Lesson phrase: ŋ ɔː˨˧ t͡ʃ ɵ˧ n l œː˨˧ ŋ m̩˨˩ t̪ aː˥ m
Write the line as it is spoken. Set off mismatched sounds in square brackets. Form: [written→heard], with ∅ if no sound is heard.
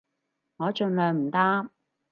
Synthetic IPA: ŋ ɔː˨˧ t͡ʃ ɵ˧ n l œː˨˧ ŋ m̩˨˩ t̪ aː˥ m